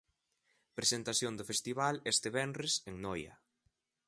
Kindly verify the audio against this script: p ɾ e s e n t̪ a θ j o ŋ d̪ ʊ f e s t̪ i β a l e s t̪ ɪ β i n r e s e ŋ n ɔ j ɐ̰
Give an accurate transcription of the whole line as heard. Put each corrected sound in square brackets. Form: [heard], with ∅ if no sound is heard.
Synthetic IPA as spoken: p ɾ e s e n t̪ a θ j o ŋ d̪ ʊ f e s t̪ i β a l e s t̪ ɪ β [ɛ] n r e s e ŋ n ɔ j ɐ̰